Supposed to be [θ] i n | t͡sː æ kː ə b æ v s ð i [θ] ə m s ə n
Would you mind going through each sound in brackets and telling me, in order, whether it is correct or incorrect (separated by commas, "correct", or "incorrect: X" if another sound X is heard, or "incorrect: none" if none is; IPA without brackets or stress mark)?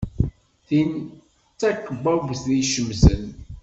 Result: correct, incorrect: ʃ